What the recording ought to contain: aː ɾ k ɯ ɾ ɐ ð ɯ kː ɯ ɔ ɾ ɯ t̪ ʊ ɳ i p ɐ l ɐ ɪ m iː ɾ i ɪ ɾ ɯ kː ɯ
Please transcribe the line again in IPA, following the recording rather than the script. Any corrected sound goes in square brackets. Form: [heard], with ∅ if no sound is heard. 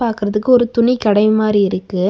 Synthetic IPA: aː ɾ k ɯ ɾ ɐ ð ɯ kː ɯ ɔ ɾ ɯ t̪ ʊ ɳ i [k] ɐ [ɽ] ɐ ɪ m [aː] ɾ i ɪ ɾ ɯ kː ɯ

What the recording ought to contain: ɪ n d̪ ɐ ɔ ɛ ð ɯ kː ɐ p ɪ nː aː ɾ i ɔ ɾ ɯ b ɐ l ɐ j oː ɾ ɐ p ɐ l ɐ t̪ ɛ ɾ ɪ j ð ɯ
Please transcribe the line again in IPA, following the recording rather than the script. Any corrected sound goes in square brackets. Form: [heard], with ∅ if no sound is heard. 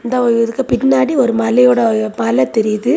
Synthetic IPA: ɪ n d̪ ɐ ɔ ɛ ð ɯ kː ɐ p ɪ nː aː [ɽ] i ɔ ɾ ɯ [m] ɐ l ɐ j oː [ɽ] ɐ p ɐ l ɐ t̪ ɛ ɾ ɪ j ð ɯ

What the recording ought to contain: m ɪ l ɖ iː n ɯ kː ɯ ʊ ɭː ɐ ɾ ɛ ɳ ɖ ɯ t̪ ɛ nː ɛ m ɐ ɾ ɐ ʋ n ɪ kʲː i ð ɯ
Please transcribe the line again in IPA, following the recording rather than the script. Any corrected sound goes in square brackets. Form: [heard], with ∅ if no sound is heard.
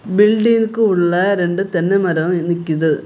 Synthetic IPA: [b] ɪ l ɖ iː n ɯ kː ɯ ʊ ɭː ɐ ɾ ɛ ɳ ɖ ɯ t̪ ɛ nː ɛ m ɐ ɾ ɐ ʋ n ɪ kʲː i ð ɯ

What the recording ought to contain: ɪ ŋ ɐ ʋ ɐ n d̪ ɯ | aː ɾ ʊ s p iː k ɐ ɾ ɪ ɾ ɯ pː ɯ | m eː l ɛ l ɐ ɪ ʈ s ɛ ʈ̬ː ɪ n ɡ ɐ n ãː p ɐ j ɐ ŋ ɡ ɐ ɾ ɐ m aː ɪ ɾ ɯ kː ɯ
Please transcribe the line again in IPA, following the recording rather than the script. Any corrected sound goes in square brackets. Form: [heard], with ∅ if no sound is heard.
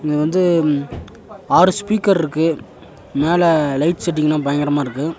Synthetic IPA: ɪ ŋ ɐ ʋ ɐ n d̪ ɯ | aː ɾ [ɯ] s p iː k ɐ ɾ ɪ ɾ ɯ [kː] ɯ | m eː l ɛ l ɐ ɪ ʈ s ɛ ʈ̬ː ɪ [ŋ] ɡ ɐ n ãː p ɐ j ɐ ŋ ɡ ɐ ɾ ɐ m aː ɪ ɾ ɯ kː ɯ

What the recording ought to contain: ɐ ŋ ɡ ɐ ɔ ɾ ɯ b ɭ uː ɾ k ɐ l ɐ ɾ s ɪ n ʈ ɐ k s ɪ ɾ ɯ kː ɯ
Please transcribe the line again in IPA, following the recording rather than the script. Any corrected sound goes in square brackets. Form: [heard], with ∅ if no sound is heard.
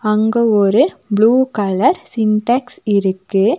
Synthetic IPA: ɐ ŋ ɡ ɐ ɔ ɾ ɯ b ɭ uː [∅] k ɐ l ɐ ɾ s ɪ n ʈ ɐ k s ɪ ɾ ɯ kː ɯ

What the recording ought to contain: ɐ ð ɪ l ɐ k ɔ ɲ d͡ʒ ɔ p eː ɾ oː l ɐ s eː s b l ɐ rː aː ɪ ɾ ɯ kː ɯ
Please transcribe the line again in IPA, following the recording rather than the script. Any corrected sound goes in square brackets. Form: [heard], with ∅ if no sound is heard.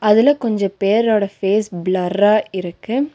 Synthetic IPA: ɐ ð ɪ l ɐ k ɔ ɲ d͡ʒ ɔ p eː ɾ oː [ɽ] ɐ [f] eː s b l ɐ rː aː ɪ ɾ ɯ kː ɯ

